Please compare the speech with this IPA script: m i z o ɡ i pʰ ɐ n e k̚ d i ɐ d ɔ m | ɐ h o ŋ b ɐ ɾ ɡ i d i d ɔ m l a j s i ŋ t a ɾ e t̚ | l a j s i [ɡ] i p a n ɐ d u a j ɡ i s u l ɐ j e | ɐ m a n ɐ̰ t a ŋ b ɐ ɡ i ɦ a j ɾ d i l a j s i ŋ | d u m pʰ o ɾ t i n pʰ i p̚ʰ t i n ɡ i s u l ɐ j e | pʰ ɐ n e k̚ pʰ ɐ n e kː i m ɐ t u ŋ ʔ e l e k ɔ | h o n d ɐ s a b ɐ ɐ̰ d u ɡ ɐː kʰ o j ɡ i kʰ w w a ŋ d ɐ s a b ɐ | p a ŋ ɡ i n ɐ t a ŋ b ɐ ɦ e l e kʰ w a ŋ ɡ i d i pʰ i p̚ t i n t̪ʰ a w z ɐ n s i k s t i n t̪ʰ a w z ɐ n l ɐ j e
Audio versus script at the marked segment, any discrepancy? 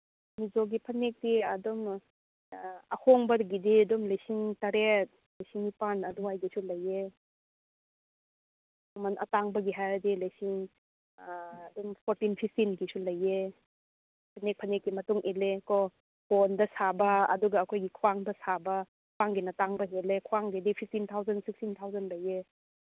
yes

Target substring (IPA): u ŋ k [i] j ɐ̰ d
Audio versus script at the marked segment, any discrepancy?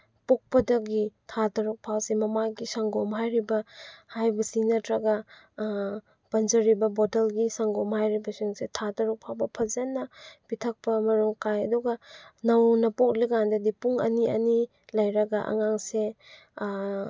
yes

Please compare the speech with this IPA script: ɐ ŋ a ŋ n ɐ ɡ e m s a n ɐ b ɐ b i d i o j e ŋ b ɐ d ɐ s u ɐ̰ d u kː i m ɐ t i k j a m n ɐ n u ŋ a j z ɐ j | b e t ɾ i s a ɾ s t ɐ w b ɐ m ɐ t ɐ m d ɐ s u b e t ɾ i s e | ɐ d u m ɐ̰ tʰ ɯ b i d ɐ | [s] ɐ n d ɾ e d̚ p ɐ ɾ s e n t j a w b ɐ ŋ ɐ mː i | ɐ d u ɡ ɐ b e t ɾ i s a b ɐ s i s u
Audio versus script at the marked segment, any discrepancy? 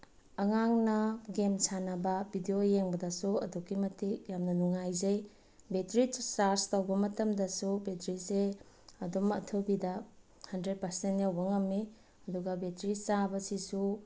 yes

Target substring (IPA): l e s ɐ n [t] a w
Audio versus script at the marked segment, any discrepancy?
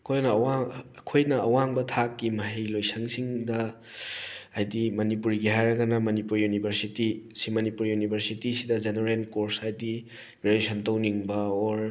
no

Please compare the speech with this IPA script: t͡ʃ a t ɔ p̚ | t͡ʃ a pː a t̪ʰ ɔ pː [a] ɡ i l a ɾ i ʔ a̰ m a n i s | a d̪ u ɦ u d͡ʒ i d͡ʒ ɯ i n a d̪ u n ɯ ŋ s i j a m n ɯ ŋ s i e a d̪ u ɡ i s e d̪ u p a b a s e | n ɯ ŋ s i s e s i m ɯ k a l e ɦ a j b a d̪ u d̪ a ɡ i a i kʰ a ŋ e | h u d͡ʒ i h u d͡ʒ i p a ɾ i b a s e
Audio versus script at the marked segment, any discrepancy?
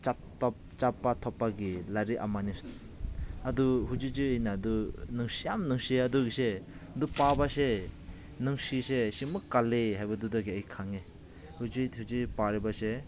no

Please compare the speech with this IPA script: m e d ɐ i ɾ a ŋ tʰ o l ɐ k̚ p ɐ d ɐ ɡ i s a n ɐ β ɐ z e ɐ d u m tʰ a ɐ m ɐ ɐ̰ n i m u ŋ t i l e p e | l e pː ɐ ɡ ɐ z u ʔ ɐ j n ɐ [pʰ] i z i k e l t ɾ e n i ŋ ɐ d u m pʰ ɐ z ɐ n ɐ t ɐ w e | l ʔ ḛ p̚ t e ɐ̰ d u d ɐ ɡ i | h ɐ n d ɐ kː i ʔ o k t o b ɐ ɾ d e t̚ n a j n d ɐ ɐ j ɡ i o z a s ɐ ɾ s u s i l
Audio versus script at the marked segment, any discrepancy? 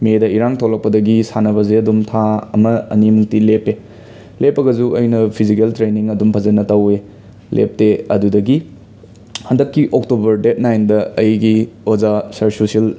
no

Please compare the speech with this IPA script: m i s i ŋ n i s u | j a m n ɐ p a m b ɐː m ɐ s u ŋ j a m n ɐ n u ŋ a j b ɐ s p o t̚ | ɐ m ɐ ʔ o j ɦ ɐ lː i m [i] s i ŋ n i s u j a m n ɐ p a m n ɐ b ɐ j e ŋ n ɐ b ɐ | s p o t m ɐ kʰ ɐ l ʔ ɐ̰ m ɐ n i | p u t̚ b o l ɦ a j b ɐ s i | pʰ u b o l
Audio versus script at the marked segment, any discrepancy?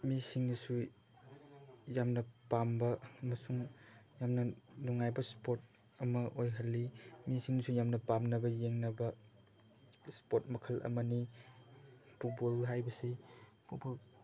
no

